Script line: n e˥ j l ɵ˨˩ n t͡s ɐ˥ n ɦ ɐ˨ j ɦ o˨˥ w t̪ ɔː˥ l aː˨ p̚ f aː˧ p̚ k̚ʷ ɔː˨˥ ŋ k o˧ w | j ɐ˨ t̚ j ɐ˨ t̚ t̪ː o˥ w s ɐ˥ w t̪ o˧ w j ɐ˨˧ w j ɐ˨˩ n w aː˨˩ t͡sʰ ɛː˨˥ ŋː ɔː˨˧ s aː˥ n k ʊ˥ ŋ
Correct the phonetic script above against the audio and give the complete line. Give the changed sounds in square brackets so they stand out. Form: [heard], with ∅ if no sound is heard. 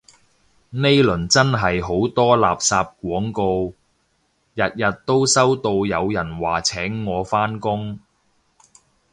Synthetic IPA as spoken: n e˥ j l ɵ˨˩ n t͡s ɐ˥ n ɦ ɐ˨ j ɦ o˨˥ w t̪ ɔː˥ l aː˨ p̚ [s] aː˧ p̚ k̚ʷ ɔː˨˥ ŋ k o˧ w | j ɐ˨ t̚ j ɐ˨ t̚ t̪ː o˥ w s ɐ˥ w t̪ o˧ w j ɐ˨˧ w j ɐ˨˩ n w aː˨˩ t͡sʰ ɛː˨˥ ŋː ɔː˨˧ [f] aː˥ n k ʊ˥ ŋ